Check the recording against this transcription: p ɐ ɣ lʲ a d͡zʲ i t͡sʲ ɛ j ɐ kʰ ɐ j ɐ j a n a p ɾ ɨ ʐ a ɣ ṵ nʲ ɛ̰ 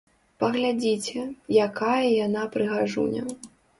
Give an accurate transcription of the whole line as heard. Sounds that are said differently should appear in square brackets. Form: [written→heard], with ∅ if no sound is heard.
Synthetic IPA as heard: p ɐ ɣ lʲ a d͡zʲ i t͡sʲ ɛ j [ɐ→a] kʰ [ɐ→a] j ɐ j a n a p ɾ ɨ [ʐ→ɣ] a [ɣ→ʐ] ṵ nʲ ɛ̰